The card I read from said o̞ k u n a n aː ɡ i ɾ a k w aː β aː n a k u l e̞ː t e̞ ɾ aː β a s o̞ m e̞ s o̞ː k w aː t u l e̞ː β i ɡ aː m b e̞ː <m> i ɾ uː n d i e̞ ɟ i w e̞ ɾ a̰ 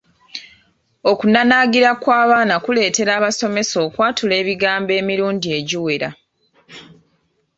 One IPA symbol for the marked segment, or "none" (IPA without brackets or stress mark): m